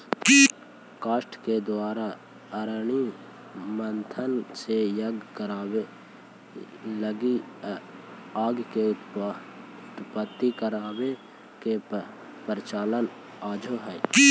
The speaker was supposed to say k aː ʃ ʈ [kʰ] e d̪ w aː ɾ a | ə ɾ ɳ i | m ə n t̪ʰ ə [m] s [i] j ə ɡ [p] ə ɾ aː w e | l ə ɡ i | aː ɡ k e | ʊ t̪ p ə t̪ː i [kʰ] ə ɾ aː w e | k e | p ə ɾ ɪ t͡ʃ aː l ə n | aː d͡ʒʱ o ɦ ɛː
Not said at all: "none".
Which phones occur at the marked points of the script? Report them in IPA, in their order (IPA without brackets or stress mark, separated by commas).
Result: k, n, e, k, k